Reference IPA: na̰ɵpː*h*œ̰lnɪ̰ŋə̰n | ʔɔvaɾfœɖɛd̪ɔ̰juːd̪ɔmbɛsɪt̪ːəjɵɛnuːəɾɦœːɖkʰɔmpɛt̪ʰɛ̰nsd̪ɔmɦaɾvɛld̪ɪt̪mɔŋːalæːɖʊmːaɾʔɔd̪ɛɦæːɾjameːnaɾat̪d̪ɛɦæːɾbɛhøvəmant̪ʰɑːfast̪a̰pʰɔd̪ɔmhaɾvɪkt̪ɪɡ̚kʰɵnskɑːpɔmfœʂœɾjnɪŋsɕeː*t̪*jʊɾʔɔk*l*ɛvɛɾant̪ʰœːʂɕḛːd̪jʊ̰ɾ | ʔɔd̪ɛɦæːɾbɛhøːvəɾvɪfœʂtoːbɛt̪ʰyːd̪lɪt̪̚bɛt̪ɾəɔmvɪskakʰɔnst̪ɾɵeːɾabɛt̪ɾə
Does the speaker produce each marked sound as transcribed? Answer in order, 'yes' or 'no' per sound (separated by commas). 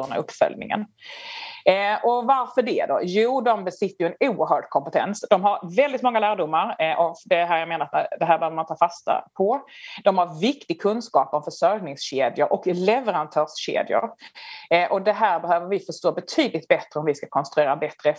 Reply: no, no, yes